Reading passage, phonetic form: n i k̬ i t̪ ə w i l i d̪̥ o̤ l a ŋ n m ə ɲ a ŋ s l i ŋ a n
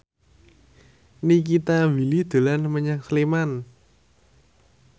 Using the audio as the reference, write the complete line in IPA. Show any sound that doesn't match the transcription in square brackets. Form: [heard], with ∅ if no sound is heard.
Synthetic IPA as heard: n i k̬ i t̪ [a] w i l i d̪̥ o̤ l a [∅] n m ə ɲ a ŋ s l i [m] a n